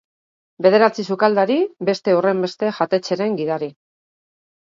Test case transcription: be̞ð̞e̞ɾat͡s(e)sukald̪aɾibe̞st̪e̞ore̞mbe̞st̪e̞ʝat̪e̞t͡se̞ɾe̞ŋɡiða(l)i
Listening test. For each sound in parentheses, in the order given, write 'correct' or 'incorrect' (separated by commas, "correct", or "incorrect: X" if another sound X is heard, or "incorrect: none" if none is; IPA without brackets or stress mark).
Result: incorrect: i, incorrect: ɾ